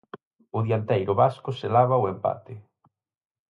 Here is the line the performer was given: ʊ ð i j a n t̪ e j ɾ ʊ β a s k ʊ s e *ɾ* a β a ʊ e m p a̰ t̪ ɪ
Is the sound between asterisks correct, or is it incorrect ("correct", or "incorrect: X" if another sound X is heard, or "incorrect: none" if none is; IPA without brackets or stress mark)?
incorrect: l